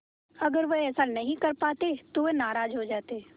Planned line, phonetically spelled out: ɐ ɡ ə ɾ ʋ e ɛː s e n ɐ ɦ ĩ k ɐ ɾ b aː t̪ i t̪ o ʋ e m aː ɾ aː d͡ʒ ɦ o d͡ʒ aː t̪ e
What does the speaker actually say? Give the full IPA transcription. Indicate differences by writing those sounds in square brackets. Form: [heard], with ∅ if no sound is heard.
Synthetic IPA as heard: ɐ ɡ ə ɾ ʋ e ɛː s [a] n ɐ ɦ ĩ k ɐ ɾ [p] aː t̪ [e] t̪ o ʋ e [n] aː ɾ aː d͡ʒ ɦ o d͡ʒ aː t̪ e